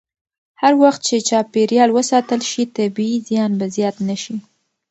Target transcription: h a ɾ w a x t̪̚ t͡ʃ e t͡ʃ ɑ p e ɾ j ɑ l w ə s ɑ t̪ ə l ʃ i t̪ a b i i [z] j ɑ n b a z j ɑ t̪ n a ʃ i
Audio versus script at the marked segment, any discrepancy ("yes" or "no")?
no